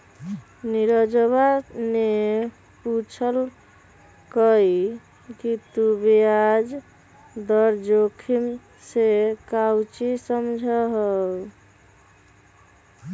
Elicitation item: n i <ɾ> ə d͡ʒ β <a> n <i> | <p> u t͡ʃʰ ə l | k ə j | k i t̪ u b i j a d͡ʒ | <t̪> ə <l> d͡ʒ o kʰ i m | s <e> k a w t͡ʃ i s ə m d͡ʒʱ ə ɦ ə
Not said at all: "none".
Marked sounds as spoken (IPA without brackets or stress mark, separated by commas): ɾ, a, e, p, d̪, ɾ, e